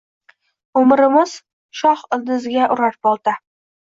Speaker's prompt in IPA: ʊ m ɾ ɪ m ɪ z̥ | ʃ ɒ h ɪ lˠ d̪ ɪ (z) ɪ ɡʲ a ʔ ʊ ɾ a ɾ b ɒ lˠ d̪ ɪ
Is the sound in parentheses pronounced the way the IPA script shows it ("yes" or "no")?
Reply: yes